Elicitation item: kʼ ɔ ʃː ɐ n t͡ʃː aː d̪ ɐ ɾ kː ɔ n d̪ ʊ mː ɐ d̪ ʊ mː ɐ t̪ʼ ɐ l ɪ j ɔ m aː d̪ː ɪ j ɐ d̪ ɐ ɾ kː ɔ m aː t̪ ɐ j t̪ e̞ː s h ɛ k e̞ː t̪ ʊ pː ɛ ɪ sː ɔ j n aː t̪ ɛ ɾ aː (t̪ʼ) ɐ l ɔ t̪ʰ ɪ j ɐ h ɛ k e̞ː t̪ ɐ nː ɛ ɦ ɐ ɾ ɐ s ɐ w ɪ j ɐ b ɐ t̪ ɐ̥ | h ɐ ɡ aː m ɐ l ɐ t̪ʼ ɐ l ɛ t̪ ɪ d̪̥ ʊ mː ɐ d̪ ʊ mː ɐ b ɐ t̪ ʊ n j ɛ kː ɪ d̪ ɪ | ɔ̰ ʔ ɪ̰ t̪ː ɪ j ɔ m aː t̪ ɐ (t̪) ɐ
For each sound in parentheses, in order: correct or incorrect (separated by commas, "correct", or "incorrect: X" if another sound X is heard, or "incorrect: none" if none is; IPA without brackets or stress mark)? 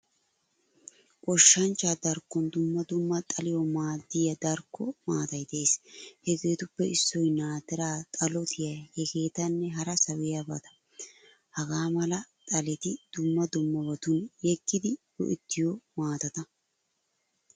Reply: correct, correct